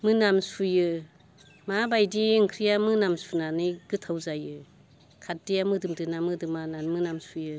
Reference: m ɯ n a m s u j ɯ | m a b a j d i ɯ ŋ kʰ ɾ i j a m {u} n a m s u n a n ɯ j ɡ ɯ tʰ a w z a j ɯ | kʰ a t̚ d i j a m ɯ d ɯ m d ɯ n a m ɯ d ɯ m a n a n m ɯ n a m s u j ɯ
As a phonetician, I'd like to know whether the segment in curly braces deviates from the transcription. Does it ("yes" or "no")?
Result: yes